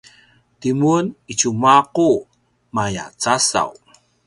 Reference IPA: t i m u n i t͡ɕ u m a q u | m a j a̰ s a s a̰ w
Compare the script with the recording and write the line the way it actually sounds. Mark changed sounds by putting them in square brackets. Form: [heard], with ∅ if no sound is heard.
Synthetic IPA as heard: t i m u n i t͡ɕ u m a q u | m a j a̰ [t͡s] a s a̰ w